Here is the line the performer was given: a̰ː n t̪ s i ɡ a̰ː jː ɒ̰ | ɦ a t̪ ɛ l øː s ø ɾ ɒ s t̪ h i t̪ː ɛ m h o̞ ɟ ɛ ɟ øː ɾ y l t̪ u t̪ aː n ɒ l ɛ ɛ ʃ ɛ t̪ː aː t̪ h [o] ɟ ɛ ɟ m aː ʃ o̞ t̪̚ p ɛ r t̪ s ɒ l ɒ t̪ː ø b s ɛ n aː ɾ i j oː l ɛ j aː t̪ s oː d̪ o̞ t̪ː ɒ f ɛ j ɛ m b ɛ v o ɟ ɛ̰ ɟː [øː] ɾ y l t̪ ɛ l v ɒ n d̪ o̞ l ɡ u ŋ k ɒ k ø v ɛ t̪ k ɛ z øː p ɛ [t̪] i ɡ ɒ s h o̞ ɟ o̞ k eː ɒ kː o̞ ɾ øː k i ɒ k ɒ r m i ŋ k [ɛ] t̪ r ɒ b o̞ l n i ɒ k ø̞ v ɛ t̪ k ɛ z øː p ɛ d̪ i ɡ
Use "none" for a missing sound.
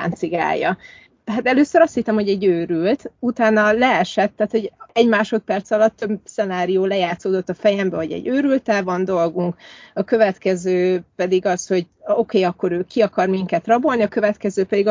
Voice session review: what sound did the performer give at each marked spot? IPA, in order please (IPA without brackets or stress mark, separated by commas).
o, øː, d̪, ɛ